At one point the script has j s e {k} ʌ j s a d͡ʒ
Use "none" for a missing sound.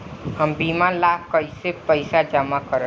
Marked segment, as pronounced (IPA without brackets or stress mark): p